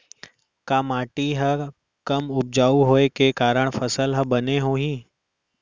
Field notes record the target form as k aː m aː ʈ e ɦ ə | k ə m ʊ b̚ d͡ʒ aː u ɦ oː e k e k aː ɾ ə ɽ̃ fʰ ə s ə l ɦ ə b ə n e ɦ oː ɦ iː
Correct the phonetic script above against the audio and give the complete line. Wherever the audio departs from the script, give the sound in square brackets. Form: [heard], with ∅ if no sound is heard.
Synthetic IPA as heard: k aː m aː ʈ [i] ɦ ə | k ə m ʊ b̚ d͡ʒ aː u ɦ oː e k e k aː ɾ ə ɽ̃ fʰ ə s ə l ɦ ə b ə n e ɦ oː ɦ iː